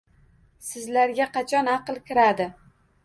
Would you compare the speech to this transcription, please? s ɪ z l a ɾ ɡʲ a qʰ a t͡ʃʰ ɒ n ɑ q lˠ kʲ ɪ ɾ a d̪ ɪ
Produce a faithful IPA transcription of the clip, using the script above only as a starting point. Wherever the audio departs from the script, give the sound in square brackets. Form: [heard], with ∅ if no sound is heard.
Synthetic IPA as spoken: s ɪ z l a ɾ ɡʲ a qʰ [ɑ] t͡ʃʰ ɒ n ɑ q lˠ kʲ ɪ ɾ a d̪ ɪ